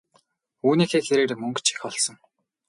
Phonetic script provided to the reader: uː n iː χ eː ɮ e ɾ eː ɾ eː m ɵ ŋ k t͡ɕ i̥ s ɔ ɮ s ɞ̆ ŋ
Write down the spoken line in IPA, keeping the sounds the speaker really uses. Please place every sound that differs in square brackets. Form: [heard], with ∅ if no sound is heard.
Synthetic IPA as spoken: uː n iː [x] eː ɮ e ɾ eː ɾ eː m ɵ ŋ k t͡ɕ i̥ [x] ɔ ɮ s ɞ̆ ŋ